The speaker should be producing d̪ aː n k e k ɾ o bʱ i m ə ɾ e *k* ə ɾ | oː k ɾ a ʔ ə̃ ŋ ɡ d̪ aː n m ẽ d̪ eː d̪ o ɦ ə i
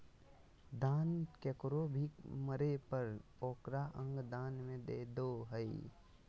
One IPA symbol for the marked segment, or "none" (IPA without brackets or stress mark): p